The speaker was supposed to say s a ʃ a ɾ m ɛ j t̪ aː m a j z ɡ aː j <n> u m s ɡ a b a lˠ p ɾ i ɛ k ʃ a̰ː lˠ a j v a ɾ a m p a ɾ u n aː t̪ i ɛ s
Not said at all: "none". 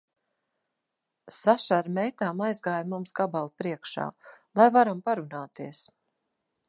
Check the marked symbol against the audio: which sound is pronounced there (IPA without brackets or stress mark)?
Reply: m